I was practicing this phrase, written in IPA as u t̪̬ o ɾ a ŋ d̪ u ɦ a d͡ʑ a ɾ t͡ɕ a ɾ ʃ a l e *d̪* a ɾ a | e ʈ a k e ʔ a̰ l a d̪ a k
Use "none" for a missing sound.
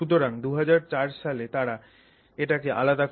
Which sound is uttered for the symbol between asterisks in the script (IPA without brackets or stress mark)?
t̪